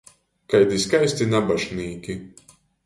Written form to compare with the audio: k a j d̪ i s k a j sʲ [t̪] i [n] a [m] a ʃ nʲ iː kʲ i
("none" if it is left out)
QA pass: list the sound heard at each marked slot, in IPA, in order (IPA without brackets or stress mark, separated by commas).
t̪, n, b